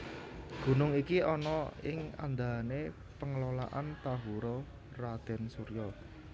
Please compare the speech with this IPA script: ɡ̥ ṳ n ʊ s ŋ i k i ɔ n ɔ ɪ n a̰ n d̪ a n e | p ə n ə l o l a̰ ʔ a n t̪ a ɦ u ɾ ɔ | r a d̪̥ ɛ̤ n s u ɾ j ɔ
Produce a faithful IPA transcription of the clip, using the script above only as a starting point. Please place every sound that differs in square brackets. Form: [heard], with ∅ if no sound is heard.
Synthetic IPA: ɡ̥ ṳ n ʊ [∅] ŋ i k i ɔ n ɔ ɪ [ŋ] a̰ n d̪ a n e | p ə [ŋ] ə l o l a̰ ʔ a n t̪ a ɦ u ɾ ɔ | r a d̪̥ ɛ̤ n s u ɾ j ɔ